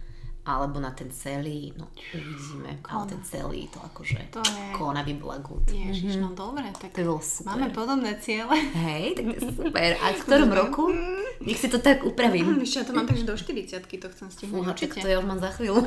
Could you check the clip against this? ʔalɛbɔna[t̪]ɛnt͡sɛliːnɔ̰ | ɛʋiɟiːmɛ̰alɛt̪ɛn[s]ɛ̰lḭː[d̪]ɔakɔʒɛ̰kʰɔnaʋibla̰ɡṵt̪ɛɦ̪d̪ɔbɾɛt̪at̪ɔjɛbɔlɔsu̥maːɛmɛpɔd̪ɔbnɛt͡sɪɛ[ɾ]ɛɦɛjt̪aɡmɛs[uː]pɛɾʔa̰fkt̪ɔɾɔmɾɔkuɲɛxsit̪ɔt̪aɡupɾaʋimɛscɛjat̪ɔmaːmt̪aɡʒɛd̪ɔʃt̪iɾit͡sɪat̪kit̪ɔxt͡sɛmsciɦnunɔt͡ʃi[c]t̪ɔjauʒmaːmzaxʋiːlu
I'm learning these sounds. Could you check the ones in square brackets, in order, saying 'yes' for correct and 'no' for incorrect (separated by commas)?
yes, no, no, no, no, no